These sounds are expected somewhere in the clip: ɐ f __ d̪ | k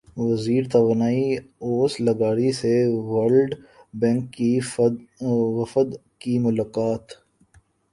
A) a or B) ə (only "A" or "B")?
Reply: B